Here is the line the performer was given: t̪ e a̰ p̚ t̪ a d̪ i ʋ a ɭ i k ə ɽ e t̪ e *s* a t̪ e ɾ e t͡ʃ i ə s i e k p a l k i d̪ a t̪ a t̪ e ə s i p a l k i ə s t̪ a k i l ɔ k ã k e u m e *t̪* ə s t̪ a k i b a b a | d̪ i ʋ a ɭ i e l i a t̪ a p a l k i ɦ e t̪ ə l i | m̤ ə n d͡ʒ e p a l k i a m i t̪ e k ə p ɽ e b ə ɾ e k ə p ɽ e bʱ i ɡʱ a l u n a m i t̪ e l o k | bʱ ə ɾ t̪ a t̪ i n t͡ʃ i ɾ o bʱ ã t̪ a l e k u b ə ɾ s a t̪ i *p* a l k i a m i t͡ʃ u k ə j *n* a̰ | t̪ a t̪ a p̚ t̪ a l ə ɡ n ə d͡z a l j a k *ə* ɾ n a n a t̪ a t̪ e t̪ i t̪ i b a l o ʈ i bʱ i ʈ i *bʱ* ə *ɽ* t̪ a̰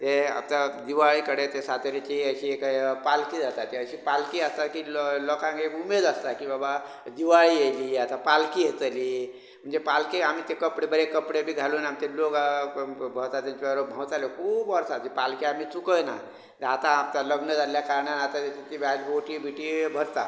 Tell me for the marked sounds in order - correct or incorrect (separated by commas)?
correct, incorrect, correct, correct, incorrect, correct, incorrect